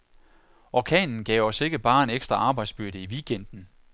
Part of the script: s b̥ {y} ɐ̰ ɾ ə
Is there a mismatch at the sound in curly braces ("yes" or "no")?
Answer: no